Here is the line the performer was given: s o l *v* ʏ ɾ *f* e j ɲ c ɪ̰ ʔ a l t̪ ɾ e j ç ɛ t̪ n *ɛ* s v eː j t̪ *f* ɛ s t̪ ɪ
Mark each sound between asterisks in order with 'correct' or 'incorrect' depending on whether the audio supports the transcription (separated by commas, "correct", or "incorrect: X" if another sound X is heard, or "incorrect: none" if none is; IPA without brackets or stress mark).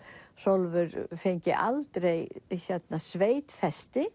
correct, correct, incorrect: a, correct